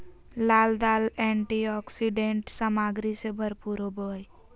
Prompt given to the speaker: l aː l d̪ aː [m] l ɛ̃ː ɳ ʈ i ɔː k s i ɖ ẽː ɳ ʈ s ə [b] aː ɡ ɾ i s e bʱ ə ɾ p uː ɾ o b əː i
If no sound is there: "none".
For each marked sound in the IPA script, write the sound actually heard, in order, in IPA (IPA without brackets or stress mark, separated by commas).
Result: none, m